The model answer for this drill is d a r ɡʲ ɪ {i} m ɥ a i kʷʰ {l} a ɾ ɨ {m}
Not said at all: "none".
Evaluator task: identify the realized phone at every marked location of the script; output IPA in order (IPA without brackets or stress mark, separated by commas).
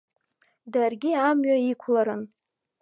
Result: a, l, n